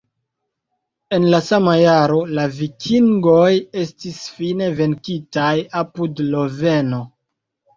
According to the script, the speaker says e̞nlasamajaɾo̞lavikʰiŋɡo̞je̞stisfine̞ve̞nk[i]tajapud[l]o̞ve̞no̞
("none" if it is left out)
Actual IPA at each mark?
i, l

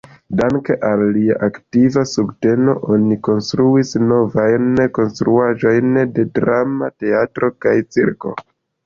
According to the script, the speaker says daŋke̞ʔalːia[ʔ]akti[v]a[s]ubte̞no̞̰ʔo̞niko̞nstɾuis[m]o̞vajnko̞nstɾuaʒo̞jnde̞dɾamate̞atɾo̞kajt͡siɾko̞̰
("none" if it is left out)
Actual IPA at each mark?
ʔ, v, s, n

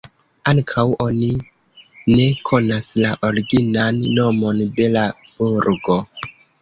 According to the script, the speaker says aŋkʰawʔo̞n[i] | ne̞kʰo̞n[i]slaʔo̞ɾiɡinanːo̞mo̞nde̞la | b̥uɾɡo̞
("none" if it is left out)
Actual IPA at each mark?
i, a

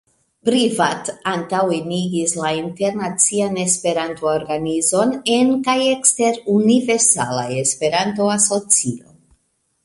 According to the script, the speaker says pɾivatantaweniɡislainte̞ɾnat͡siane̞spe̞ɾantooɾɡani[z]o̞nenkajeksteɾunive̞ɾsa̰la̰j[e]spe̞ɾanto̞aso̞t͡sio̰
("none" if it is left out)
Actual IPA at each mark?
z, e

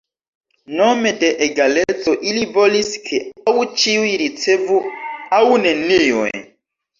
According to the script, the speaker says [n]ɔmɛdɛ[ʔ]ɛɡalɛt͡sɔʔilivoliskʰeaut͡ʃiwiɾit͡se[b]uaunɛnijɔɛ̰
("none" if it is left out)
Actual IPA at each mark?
n, ʔ, v

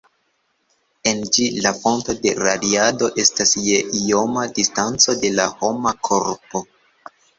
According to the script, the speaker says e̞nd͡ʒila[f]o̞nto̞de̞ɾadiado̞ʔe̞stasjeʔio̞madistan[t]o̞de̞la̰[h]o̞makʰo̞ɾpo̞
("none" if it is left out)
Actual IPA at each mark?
f, t͡s, h

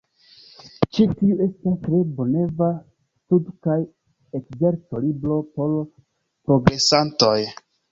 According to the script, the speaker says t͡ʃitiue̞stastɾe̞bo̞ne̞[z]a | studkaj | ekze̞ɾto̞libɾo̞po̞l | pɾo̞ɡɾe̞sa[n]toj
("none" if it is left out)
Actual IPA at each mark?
v, n

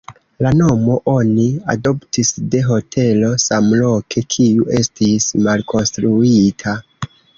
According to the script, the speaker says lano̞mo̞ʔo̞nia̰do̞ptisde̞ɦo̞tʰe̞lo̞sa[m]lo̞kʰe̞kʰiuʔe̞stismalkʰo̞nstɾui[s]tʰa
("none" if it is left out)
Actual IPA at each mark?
m, none

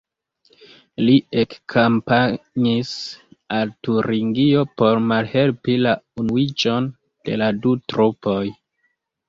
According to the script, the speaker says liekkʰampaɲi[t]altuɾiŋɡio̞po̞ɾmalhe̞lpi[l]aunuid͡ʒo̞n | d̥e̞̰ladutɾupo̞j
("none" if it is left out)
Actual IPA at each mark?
s, l

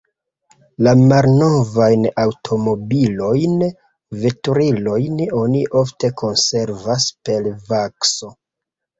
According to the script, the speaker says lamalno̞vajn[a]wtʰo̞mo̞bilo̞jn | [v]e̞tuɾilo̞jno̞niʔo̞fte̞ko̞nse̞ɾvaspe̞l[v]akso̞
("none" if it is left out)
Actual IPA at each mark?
a, v, v

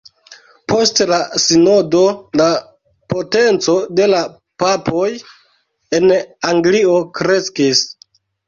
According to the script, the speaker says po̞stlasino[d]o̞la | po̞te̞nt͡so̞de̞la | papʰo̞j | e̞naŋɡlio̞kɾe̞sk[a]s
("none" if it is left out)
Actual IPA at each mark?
d, i

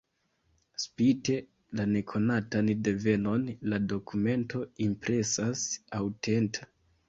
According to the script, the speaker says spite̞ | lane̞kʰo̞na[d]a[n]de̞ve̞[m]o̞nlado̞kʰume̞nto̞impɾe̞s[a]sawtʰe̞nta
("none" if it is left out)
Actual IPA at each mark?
t, n, n, a

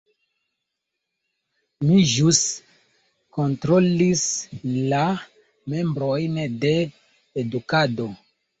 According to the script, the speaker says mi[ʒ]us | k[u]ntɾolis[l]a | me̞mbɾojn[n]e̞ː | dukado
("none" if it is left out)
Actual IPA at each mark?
ʒ, o, l, d

